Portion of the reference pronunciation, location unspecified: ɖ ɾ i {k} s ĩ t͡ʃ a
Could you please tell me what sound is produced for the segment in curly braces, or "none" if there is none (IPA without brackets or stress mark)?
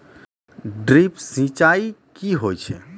p